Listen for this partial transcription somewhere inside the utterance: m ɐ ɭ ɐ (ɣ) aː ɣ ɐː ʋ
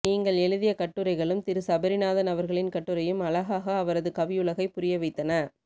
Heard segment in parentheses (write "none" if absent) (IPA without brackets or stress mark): ɣ